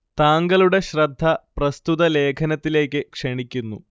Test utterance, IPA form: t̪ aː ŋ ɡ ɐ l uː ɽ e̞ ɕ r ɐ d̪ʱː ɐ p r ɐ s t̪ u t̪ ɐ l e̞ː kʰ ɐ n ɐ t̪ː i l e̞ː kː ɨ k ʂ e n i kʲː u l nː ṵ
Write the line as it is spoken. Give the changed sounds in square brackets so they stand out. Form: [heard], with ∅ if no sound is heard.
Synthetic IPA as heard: t̪ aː ŋ ɡ ɐ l [u] ɽ e̞ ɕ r ɐ d̪ʱː ɐ p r ɐ s t̪ u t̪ ɐ l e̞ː kʰ ɐ n ɐ t̪ː i l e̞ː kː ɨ k ʂ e [ɳ] i kʲː u [∅] nː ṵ